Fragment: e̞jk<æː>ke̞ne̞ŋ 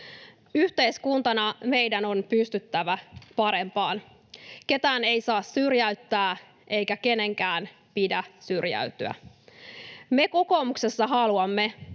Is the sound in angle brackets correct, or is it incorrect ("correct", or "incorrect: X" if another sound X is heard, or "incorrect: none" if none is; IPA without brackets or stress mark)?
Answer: incorrect: æ